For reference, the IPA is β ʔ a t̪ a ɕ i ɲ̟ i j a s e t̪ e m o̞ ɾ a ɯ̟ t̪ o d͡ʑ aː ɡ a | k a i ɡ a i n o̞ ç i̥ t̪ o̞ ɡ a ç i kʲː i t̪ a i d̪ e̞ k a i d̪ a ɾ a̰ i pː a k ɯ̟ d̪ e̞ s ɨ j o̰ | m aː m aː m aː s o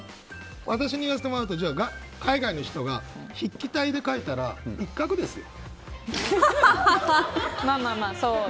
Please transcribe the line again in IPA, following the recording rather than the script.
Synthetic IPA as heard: β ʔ a t̪ a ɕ i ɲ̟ i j a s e t̪ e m o̞ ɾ a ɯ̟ t̪ o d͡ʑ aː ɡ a | k a i ɡ a i n o̞ ç i̥ t̪ o̞ ɡ a ç i kʲː i t̪ a i d̪ e̞ k a i t̪ a ɾ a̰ i kː a k ɯ̟ d̪ e̞ s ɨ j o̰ | m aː m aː m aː s o